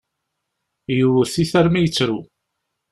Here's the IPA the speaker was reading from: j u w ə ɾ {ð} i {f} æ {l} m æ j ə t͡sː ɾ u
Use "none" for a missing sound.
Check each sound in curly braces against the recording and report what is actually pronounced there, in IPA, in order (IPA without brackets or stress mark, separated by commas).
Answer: θ, θ, ɾ